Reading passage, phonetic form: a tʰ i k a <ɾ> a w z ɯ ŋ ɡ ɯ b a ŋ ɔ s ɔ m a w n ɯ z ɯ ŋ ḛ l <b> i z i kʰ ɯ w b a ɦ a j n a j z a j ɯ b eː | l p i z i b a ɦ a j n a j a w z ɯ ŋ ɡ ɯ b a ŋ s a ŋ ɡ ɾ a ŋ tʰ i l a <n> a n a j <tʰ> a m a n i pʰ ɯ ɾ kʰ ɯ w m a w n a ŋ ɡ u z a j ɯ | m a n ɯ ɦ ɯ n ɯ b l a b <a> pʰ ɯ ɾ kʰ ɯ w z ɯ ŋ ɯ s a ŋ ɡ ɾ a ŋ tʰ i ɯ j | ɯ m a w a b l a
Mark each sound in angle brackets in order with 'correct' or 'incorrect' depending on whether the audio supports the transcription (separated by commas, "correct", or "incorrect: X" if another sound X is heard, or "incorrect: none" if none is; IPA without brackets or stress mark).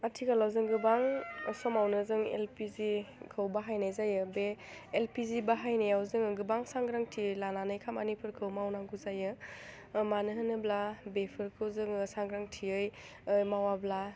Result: incorrect: l, incorrect: p, correct, incorrect: kʰ, incorrect: e